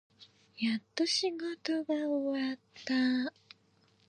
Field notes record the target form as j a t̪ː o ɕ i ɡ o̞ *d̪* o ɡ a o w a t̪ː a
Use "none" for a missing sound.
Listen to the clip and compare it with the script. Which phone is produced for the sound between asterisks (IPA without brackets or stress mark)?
t̪